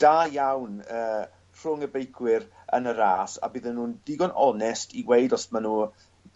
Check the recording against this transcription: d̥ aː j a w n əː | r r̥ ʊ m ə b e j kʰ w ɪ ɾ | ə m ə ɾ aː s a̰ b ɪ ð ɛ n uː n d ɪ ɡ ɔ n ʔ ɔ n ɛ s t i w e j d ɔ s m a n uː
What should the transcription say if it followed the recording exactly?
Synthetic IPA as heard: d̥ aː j a w n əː | r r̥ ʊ ŋ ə b e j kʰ w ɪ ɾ | ə n ə ɾ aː s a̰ b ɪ ð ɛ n uː n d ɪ ɡ ɔ n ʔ ɔ n ɛ s t i w e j d ɔ s m a n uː